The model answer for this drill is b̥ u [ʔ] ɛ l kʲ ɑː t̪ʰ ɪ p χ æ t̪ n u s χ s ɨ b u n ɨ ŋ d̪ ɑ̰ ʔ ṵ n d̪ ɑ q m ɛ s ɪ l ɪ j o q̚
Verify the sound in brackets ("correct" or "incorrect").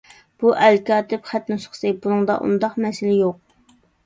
correct